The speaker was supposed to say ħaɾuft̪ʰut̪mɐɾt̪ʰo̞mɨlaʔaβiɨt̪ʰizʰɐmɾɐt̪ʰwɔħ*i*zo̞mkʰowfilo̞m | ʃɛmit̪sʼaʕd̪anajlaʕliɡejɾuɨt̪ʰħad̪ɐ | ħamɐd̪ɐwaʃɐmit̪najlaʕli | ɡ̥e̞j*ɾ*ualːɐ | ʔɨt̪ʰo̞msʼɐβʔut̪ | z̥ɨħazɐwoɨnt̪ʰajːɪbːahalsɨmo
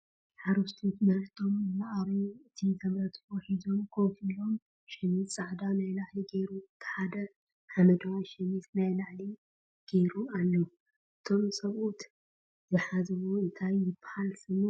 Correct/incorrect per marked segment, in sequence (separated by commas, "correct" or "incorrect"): correct, correct